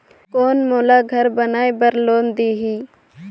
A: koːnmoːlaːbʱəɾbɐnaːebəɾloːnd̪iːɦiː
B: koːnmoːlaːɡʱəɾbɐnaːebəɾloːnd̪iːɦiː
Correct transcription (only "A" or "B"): B